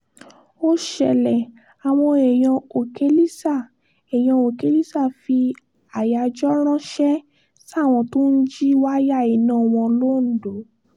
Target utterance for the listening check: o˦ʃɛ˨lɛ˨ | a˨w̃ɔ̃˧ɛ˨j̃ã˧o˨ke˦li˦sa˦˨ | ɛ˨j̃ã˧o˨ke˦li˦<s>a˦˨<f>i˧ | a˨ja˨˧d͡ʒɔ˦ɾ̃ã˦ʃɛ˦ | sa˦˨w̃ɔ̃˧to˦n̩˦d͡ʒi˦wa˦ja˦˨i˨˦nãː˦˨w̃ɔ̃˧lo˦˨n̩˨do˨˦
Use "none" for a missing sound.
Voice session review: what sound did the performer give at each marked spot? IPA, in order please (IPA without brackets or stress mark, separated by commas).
s, f